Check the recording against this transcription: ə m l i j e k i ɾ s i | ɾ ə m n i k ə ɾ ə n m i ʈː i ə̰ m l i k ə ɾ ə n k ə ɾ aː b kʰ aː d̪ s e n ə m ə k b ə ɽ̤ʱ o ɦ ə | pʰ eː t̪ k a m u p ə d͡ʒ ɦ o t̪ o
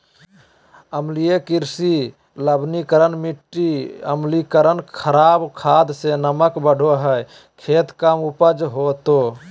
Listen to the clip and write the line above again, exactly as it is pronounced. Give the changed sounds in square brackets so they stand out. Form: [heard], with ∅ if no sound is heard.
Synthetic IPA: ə m l i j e k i ɾ s i | [l] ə [b] n i k ə ɾ ə n m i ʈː i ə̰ m l i k ə ɾ ə n [kʰ] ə ɾ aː b kʰ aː d̪ s e n ə m ə k b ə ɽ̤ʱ o ɦ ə | [kʰ] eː t̪ k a m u p ə d͡ʒ ɦ o t̪ o